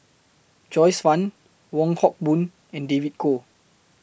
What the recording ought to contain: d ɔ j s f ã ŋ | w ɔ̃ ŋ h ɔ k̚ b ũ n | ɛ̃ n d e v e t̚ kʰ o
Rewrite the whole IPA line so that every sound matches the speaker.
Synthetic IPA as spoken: d͡ʒ ɔ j s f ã n | w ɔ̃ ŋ h ɔ k̚ b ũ n | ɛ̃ n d e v i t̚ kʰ o